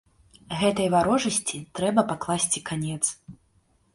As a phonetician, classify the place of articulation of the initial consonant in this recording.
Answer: velar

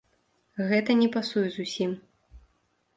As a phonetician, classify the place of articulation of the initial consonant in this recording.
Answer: velar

